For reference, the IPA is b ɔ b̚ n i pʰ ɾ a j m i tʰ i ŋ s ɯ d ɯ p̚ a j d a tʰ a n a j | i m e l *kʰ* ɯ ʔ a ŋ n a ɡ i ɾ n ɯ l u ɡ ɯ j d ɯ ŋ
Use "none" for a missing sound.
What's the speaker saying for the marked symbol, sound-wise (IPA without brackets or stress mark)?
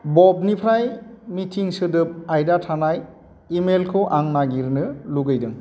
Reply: kʰ